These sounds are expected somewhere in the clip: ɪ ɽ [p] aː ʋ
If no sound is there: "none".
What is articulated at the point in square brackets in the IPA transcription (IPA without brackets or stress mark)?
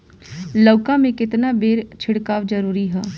k